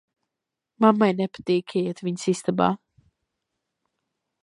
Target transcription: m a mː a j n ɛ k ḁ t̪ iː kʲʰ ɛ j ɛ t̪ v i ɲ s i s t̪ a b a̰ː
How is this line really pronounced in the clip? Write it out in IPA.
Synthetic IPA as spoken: m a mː a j n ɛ p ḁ t̪ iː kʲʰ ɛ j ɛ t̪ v i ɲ s i s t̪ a b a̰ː